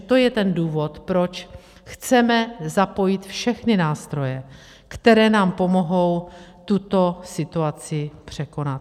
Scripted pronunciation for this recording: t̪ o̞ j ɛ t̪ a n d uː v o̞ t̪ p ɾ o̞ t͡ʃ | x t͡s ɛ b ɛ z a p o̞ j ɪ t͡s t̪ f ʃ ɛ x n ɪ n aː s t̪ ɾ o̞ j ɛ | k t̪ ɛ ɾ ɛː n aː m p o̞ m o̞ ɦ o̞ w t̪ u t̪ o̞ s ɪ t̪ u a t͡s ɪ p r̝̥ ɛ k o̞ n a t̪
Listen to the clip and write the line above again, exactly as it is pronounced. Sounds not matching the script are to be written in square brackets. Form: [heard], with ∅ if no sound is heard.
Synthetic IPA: t̪ o̞ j ɛ t̪ [ɛ] n d uː v o̞ t̪ p ɾ o̞ t͡ʃ | x t͡s ɛ [m] ɛ z a p o̞ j ɪ [∅] t̪ f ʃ ɛ x n ɪ n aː s t̪ ɾ o̞ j ɛ | k t̪ ɛ ɾ ɛː n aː m p o̞ m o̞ ɦ o̞ w t̪ u t̪ o̞ s ɪ t̪ u a t͡s ɪ p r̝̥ ɛ k o̞ n a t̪